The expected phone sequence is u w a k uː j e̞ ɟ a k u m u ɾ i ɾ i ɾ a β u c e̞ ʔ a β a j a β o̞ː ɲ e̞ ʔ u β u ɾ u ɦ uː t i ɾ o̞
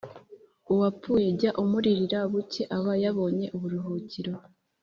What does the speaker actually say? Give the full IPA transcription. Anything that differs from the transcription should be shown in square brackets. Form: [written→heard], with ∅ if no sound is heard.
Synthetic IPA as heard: u w a [k→p] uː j e̞ ɟ a [k→ʔ] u m u ɾ i ɾ i ɾ a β u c e̞ ʔ a β a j a β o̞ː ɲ e̞ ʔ u β u ɾ u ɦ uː [t→c] i ɾ o̞

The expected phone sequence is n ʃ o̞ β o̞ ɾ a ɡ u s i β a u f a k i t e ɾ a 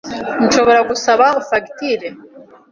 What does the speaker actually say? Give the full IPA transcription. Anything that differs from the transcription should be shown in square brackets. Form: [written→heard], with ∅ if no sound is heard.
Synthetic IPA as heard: n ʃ o̞ β o̞ ɾ a ɡ u s [i→a] β a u f a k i t [e→i] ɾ [a→e]

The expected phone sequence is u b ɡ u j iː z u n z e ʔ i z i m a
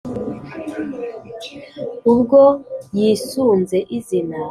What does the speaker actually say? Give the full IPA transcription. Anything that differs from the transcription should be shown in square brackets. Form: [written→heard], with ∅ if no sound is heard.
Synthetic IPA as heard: u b ɡ [u→o] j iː [z→s] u n z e ʔ i z i [m→n] a

